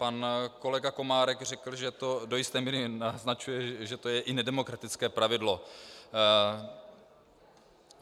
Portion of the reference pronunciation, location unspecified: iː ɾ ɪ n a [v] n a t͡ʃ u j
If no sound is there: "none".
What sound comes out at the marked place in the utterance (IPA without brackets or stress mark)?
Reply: z